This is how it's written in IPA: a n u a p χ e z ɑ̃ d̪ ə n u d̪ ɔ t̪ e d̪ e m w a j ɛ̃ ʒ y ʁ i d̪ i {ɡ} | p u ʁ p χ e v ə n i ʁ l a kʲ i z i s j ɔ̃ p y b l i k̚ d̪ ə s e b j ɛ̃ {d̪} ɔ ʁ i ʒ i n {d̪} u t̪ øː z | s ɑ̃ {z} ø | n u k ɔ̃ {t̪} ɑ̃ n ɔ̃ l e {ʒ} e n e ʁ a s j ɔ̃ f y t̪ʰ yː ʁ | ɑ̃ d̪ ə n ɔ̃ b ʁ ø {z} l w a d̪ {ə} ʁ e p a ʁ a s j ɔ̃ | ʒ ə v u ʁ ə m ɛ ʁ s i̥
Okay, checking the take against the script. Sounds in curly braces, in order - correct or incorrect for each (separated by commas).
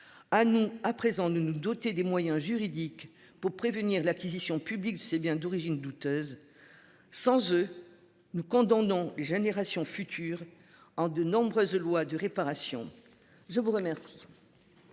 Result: incorrect, correct, correct, correct, incorrect, correct, correct, correct